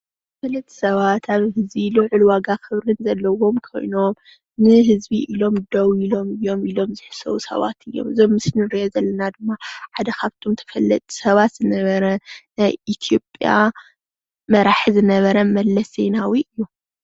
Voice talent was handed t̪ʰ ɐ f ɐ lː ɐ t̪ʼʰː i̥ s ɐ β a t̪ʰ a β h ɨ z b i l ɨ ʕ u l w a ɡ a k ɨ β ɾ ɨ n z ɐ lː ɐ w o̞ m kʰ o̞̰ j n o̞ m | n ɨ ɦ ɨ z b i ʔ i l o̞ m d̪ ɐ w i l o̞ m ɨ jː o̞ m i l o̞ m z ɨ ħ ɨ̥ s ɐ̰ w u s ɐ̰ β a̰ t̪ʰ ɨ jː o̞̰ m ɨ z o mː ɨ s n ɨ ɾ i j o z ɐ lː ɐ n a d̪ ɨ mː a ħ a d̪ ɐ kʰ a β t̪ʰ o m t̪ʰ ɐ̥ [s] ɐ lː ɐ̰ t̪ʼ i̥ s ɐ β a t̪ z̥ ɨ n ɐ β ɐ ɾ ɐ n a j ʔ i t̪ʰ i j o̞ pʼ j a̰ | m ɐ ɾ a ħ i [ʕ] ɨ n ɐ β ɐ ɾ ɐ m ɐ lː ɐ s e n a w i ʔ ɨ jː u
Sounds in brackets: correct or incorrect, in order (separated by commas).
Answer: incorrect, incorrect